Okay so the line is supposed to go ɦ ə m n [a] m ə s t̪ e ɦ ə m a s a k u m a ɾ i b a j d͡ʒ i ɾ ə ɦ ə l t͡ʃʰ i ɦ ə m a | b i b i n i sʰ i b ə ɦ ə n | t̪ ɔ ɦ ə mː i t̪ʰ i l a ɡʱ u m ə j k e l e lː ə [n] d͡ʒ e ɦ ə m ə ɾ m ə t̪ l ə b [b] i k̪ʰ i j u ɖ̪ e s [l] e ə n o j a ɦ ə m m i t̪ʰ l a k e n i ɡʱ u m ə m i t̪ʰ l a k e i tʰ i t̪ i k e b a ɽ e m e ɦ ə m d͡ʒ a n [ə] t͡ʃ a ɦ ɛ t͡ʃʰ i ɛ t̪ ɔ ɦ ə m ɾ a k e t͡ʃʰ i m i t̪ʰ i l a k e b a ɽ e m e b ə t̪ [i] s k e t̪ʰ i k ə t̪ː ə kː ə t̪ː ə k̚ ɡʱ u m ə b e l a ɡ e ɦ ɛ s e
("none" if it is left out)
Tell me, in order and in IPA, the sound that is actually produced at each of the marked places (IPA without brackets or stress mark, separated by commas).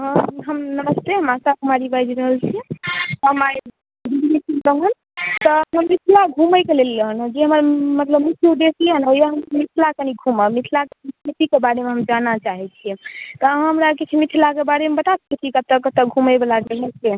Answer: ə, n, m, l, a, a